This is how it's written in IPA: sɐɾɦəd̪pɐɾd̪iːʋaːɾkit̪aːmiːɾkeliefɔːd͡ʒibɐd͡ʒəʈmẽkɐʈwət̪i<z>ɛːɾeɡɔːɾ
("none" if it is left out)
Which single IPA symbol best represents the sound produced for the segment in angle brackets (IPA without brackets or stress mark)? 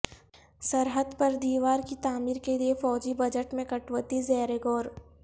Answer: z